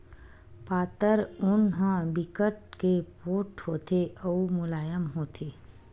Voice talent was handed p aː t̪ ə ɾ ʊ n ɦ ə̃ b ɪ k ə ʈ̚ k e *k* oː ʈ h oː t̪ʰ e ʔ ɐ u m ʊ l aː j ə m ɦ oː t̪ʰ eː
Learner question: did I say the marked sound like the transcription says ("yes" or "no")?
no